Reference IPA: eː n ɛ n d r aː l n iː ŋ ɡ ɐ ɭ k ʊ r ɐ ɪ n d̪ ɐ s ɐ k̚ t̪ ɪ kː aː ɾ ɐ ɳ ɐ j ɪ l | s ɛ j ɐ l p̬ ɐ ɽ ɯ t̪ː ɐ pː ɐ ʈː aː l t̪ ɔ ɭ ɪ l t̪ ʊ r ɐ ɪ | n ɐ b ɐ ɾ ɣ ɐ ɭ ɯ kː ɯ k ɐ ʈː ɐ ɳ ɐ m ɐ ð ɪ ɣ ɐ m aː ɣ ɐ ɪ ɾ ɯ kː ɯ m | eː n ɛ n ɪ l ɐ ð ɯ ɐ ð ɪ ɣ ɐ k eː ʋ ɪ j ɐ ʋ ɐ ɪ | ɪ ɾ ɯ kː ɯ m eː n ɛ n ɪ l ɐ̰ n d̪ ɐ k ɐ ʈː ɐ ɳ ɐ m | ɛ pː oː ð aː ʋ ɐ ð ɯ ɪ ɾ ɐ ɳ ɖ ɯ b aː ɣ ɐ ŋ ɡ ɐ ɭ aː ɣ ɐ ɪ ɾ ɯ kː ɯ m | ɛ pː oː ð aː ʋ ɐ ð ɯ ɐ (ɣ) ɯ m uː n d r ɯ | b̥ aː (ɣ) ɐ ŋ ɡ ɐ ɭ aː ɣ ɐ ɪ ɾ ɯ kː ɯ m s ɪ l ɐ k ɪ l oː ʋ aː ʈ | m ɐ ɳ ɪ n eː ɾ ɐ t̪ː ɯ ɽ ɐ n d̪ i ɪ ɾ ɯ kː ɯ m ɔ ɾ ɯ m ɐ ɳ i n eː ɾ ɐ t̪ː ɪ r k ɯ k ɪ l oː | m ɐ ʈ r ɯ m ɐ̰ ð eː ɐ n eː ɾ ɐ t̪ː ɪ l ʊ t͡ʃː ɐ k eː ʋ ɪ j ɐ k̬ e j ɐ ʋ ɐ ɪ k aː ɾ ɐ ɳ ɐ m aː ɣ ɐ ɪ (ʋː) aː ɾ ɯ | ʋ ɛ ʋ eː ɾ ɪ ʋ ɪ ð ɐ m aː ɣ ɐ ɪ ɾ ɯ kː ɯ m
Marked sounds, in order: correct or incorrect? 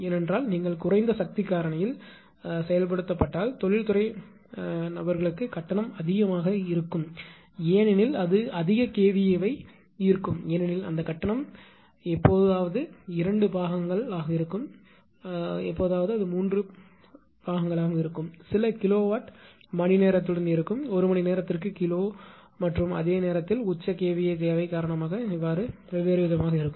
incorrect: ð, correct, correct

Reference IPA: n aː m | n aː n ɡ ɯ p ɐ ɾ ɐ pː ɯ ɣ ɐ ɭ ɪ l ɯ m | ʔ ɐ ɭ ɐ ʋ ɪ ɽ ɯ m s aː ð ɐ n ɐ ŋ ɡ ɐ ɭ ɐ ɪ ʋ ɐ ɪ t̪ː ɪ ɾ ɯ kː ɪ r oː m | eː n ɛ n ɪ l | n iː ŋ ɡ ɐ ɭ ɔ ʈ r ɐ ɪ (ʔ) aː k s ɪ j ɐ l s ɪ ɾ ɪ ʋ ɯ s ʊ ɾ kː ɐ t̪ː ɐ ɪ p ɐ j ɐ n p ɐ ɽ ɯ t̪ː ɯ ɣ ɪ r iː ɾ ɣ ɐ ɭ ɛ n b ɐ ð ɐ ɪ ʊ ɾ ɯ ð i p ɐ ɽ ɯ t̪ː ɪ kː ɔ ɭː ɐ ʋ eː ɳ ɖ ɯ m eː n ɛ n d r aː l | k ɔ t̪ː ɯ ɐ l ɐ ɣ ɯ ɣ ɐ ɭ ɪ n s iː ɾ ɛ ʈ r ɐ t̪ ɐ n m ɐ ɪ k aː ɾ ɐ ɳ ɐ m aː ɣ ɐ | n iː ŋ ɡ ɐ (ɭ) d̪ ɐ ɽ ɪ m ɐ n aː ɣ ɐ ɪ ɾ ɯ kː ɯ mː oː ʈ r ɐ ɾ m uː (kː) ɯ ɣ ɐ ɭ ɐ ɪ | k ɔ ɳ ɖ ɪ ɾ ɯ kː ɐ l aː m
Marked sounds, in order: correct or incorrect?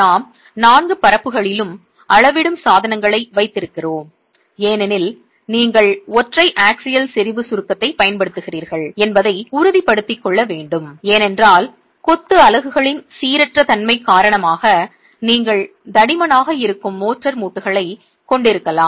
correct, correct, incorrect: ʈː

